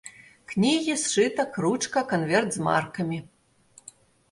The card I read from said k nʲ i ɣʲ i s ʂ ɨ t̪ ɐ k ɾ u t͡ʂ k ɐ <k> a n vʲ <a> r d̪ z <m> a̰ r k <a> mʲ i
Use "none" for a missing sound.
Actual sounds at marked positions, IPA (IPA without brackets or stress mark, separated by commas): k, ɛ, m, ɐ